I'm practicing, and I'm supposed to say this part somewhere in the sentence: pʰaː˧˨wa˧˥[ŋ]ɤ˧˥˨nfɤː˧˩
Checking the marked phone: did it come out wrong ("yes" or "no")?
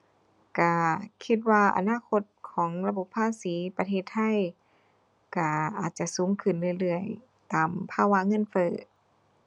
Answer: no